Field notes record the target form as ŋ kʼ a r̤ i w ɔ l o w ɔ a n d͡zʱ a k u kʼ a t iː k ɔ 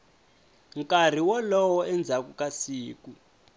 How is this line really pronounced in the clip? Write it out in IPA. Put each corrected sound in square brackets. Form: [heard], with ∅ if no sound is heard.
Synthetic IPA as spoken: ŋ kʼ a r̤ i w ɔ l [ɔ] w ɔ [ɛ] n d͡zʱ a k u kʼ a [s] iː k [u]